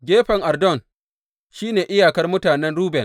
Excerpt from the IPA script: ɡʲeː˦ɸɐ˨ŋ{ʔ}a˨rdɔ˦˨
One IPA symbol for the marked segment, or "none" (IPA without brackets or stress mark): ʔ